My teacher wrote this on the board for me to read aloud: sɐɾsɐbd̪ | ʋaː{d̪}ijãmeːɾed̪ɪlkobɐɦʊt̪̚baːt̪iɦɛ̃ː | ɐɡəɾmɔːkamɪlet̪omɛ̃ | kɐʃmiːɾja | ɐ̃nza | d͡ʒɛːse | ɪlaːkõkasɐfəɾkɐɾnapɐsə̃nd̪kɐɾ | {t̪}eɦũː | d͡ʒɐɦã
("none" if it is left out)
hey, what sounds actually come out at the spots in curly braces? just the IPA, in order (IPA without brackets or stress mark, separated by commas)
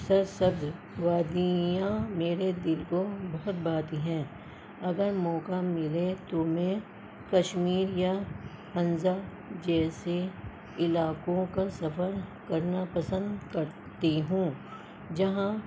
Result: d̪, t̪